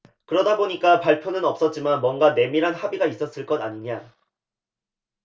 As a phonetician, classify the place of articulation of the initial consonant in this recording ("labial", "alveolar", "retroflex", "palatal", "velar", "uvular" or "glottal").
velar